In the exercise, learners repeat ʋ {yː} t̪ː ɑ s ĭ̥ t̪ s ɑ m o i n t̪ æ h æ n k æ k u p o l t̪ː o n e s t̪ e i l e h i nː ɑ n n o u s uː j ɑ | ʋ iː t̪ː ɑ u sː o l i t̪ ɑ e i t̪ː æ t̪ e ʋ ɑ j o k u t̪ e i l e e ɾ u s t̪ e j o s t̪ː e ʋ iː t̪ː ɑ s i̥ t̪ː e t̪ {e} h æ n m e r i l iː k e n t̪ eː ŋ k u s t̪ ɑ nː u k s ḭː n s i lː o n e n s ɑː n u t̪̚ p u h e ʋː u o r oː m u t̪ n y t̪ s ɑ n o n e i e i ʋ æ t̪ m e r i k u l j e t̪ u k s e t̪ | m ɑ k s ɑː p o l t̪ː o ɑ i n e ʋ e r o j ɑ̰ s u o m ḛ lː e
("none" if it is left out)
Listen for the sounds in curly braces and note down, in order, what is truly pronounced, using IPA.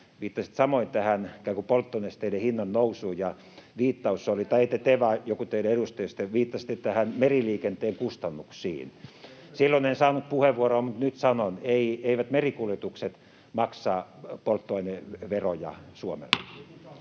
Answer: iː, æ

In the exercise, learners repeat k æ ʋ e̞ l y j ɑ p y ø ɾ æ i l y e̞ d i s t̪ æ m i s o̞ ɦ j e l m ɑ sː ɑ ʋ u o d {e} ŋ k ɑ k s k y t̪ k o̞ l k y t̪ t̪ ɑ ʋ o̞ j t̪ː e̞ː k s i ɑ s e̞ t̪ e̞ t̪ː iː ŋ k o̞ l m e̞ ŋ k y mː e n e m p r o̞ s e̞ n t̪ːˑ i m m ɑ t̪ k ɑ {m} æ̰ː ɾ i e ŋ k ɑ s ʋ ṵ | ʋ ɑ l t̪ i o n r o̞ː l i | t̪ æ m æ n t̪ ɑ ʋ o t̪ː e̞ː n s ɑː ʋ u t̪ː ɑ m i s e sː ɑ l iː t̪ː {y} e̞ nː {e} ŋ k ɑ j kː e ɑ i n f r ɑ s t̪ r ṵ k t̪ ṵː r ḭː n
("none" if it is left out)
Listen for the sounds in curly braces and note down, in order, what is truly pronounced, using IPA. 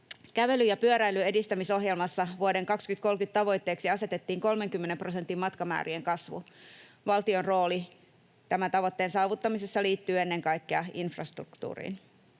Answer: e, m, yː, e

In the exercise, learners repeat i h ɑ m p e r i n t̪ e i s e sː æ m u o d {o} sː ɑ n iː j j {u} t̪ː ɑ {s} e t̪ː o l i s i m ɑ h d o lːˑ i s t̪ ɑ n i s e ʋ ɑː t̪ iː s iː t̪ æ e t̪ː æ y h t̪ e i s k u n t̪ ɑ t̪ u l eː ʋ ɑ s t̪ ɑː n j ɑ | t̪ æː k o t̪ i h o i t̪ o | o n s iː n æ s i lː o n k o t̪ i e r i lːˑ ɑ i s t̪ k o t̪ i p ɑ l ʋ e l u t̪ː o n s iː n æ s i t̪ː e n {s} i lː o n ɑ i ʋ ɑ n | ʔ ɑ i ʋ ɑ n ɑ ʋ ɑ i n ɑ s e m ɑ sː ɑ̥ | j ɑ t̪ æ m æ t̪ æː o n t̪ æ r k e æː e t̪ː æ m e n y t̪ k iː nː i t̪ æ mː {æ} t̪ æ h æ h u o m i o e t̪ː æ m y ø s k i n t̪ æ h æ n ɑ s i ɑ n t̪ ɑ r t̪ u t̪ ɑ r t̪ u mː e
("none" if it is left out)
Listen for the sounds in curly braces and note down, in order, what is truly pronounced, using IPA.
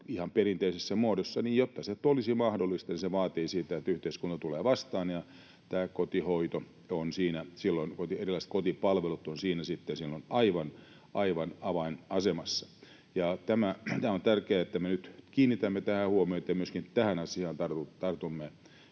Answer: o, o, s, s, e

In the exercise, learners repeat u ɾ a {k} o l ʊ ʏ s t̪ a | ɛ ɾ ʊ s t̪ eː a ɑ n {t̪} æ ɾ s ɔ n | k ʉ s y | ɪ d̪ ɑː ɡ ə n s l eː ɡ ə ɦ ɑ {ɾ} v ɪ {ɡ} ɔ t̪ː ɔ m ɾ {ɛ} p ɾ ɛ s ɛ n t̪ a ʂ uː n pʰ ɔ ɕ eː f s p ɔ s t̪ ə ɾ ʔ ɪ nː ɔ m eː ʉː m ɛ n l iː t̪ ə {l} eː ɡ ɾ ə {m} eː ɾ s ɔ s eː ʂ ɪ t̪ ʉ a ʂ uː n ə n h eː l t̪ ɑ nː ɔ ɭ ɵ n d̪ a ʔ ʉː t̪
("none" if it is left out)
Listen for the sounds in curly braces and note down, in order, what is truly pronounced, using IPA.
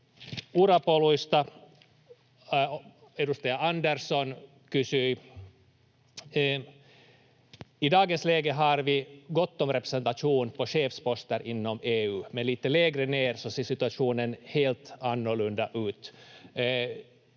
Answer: p, d̪, ɾ, ɡ, ɛ, l, n

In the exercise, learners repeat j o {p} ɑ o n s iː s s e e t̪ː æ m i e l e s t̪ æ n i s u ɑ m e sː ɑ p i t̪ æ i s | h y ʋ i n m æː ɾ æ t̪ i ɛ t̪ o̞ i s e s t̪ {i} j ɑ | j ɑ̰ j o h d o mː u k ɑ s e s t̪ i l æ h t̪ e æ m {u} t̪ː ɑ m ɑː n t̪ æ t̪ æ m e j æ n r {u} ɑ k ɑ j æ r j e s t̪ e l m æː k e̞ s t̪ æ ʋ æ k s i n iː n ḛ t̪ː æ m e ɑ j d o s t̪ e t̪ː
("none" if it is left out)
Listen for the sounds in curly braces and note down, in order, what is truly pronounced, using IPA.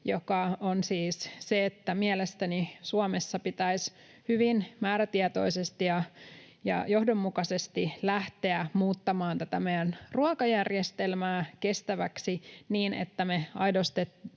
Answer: k, i, uː, u

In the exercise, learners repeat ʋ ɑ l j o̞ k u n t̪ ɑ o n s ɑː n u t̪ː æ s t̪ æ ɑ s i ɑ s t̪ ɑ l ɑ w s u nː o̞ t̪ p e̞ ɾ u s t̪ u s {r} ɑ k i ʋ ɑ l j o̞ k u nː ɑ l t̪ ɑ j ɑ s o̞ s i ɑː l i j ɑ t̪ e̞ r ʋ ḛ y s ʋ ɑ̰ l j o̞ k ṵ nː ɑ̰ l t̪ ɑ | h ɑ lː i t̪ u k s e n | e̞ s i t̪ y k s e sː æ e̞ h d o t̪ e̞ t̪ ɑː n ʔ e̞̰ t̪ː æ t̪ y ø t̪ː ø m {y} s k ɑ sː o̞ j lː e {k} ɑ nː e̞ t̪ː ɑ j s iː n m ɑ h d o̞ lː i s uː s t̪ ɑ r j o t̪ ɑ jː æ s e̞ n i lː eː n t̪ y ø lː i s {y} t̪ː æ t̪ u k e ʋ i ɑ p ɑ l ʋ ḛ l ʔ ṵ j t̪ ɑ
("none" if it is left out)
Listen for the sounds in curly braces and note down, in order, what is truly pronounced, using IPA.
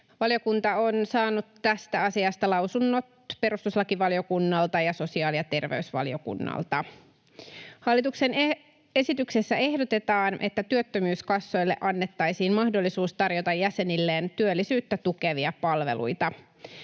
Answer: l, yː, ʔ, yː

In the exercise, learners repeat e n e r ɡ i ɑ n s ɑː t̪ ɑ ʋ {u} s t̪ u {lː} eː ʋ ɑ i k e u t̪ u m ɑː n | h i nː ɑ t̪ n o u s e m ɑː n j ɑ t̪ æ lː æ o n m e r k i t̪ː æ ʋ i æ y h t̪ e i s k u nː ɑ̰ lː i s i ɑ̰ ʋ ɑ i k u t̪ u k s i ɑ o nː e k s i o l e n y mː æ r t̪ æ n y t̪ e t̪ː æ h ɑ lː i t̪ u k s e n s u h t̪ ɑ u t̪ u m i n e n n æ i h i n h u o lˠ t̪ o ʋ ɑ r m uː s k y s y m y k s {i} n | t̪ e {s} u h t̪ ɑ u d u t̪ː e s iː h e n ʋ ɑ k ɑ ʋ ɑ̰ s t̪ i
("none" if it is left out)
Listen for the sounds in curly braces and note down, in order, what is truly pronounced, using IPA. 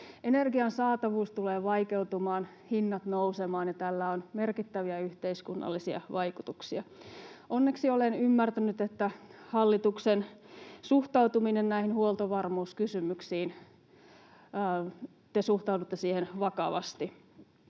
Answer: uː, l, iː, s

